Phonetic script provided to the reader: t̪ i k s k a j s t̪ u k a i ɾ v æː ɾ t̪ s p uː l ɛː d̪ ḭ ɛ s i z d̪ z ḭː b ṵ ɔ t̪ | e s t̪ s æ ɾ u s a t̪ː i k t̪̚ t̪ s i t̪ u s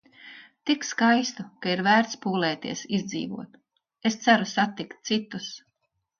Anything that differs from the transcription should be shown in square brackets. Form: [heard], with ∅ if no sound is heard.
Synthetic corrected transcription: t̪ i k s k a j s t̪ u k a i ɾ v æː ɾ t̪ s p uː l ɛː [t̪] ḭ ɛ s i z d̪ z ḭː [v] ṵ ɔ t̪ | e s t̪ s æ ɾ u s a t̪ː i k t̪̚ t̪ s i t̪ u s